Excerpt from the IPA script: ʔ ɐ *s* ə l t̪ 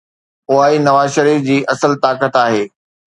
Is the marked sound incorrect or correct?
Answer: correct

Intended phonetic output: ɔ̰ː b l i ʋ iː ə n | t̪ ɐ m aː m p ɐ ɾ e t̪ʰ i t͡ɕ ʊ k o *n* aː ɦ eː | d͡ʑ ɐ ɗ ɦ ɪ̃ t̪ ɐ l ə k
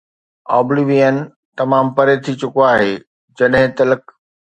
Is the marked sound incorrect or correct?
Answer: incorrect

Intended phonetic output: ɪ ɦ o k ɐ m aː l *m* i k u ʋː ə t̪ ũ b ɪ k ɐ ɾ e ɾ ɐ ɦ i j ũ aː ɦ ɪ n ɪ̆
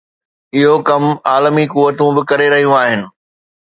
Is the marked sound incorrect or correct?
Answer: correct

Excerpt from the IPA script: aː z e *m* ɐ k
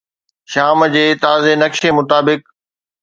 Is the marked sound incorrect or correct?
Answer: incorrect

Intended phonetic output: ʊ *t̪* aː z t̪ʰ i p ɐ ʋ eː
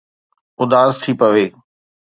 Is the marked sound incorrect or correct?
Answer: incorrect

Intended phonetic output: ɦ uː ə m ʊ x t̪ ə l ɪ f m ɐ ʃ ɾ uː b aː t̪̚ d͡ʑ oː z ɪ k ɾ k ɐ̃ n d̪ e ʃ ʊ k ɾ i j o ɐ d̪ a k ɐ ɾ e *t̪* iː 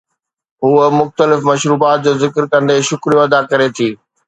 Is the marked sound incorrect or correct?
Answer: incorrect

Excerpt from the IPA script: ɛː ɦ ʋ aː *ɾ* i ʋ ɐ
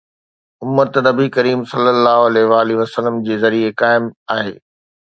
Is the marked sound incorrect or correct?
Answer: incorrect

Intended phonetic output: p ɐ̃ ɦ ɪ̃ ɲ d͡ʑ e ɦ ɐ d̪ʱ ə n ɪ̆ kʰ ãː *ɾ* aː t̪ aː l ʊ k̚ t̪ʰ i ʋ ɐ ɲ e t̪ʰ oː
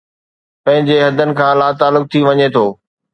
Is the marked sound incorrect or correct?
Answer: incorrect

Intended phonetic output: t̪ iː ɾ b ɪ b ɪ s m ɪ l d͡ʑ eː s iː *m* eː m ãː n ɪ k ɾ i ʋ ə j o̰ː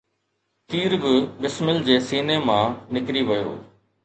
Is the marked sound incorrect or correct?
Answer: incorrect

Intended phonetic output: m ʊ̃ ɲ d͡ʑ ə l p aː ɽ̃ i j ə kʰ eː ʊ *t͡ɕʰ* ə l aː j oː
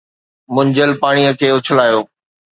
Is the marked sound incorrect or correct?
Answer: correct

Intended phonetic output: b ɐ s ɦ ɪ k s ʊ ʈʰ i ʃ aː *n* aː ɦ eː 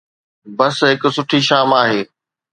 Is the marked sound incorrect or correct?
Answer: incorrect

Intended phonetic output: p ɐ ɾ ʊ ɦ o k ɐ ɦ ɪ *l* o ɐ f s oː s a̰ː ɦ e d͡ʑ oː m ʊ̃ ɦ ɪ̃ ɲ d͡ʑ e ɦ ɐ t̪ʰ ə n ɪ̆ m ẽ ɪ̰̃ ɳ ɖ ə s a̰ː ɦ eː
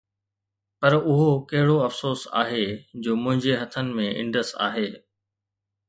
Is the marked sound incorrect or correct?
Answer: incorrect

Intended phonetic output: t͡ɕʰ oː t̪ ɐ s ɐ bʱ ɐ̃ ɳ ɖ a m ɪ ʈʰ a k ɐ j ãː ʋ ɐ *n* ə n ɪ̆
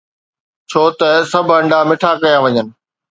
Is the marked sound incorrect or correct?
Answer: incorrect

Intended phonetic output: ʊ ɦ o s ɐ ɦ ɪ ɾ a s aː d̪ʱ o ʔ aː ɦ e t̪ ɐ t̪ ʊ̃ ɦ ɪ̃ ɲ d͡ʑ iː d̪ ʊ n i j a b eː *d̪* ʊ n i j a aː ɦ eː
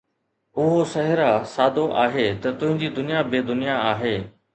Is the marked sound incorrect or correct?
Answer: correct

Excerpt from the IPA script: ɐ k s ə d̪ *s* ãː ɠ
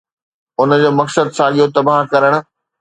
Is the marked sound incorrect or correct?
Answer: correct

